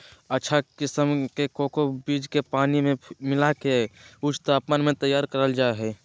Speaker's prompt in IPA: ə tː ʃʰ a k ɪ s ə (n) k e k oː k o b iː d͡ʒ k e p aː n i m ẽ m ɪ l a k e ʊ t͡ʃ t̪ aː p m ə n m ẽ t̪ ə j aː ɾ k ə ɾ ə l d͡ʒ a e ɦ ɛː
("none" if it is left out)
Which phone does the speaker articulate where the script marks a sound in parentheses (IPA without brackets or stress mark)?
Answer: m